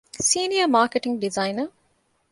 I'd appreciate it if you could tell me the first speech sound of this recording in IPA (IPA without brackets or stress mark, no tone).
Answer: s